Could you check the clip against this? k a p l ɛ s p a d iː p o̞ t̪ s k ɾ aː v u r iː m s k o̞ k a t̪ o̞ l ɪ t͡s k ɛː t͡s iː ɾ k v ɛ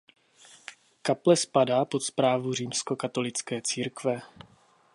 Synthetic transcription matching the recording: k a p l ɛ s p a d aː p o̞ t̪ s p ɾ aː v u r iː m s k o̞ k a t̪ o̞ l ɪ t͡s k ɛː t͡s iː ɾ k v ɛ